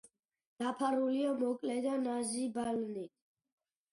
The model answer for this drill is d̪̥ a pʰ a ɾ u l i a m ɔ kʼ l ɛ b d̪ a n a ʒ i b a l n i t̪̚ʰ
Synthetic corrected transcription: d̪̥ a pʰ a ɾ u l i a m ɔ kʼ l ɛ d̪ a n a z i b a l n i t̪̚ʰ